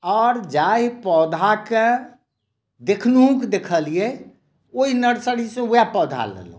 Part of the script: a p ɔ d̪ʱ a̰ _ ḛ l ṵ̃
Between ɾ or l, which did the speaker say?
l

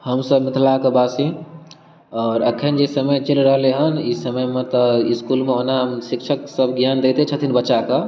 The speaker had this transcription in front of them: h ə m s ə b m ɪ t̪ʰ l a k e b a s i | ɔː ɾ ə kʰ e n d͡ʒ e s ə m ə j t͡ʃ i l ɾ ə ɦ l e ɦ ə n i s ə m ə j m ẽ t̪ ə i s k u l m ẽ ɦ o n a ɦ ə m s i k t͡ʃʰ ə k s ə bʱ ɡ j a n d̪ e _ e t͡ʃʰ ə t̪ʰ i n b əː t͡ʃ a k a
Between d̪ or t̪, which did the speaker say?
t̪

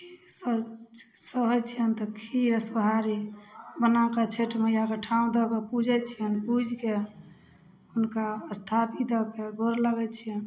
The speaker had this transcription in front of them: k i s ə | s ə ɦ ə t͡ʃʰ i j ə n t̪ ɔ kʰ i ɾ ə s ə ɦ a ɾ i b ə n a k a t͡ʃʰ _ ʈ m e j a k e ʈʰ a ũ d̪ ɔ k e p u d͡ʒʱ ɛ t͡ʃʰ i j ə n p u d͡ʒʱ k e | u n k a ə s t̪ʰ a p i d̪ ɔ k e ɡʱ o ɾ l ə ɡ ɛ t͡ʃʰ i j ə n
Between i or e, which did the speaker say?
e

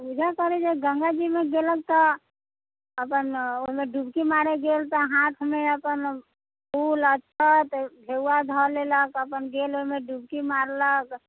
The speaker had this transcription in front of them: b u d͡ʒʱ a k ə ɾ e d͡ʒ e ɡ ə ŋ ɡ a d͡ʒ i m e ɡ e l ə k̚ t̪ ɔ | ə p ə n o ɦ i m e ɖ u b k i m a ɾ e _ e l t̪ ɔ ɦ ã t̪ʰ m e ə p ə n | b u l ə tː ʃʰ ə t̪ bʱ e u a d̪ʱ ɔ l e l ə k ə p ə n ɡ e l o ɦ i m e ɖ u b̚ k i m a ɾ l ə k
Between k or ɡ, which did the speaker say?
ɡ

